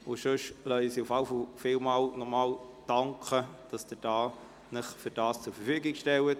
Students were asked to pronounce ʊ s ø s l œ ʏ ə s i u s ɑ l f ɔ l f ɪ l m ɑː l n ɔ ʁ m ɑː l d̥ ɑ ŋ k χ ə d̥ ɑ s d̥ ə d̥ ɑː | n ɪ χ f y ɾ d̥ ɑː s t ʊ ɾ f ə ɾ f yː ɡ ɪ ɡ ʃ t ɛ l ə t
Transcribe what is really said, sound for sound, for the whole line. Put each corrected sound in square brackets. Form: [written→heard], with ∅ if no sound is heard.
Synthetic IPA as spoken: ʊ [s→ʃ] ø [s→ʃ] l œ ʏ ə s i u [s→f] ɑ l f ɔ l f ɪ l m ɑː l n ɔ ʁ m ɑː l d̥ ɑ ŋ k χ ə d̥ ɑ s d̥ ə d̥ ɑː | n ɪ χ f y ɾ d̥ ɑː s [t→t͡s] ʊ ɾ f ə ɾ f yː ɡ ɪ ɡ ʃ t ɛ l ə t